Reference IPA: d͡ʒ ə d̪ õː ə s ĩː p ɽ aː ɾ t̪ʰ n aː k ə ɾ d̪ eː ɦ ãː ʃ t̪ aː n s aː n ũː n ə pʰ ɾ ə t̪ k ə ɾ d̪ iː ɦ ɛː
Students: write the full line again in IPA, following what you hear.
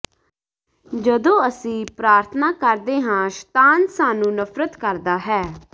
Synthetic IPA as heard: d͡ʒ ə d̪ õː ə s ĩː p ɾ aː ɾ t̪ʰ n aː k ə ɾ d̪ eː ɦ ãː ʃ t̪ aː n s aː n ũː n ə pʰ ɾ ə t̪ k ə ɾ d̪ aː ɦ ɛː